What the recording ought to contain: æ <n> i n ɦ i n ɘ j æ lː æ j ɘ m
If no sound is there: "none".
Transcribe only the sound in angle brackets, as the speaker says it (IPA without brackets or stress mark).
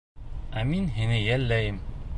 m